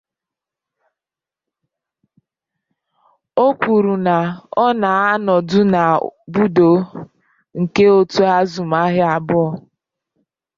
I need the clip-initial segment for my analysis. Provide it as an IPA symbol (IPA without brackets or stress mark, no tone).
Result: o